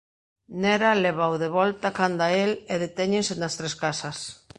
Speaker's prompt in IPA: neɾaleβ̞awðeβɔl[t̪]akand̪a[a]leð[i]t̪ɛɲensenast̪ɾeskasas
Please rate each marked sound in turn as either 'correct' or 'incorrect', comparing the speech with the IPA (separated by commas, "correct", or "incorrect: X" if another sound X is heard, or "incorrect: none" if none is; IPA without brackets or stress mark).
correct, incorrect: e, incorrect: e